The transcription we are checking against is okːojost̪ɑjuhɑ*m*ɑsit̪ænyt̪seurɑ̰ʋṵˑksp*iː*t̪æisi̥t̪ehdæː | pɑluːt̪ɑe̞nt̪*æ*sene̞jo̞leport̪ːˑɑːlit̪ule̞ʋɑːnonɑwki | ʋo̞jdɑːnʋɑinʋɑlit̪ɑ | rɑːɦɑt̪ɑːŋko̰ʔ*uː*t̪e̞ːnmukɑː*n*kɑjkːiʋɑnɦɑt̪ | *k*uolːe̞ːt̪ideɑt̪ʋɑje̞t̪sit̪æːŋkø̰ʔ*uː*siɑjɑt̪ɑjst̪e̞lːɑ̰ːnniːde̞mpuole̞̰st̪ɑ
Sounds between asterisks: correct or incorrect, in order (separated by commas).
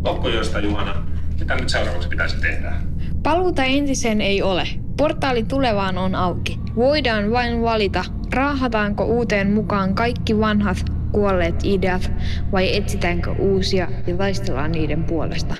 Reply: incorrect, incorrect, incorrect, correct, incorrect, correct, correct